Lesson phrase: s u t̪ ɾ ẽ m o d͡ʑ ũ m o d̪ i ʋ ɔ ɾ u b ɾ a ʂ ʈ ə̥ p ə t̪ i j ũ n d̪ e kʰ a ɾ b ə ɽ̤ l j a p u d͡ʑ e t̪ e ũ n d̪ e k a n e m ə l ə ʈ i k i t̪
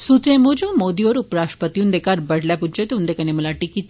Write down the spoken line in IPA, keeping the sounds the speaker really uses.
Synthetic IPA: s u t̪ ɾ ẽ m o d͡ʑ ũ m o d̪ i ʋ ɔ ɾ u p ɾ a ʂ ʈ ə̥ p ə t̪ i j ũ n d̪ e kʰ a ɾ b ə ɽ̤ l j a p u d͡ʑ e t̪ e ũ n d̪ e k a n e m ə l a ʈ i k i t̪